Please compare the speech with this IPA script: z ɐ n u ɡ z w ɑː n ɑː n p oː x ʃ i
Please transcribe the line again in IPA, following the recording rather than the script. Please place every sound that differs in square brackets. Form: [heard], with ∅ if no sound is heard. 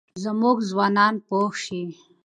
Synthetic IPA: z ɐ [m] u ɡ z w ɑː n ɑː n p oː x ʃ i